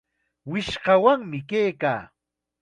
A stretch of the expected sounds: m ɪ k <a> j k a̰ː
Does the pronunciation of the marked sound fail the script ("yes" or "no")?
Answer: yes